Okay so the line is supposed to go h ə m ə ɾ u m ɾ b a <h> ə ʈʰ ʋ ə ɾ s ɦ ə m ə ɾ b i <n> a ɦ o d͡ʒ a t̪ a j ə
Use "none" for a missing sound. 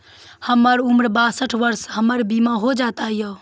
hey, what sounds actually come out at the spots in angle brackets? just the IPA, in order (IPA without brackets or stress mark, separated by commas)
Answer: s, m